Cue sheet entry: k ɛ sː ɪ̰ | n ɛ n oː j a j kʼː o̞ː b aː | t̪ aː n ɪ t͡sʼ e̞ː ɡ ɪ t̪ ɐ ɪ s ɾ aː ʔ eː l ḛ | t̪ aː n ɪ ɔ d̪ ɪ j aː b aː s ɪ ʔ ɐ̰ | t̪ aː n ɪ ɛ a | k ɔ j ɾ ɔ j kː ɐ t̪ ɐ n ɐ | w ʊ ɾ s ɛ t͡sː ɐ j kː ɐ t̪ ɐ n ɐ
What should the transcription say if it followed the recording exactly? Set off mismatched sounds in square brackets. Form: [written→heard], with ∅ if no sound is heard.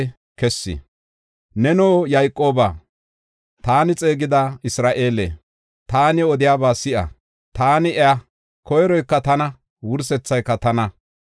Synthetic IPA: k ɛ sː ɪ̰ | n ɛ n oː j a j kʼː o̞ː b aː | t̪ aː n ɪ t͡sʼ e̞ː ɡ ɪ [t̪→d̪] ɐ ɪ s ɾ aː ʔ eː l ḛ | t̪ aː n ɪ ɔ d̪ ɪ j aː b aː s ɪ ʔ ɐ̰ | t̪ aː n ɪ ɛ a | k ɔ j ɾ ɔ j kː ɐ t̪ ɐ n ɐ | w ʊ ɾ s ɛ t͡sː ɐ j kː ɐ t̪ ɐ n ɐ